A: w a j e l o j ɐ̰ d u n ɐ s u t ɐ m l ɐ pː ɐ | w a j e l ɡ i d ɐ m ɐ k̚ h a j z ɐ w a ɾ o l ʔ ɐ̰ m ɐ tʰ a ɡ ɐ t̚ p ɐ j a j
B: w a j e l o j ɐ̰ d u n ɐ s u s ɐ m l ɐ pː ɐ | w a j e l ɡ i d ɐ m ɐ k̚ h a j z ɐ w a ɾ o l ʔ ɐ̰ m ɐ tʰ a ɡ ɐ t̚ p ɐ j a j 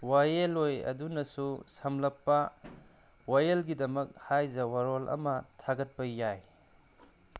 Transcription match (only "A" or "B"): B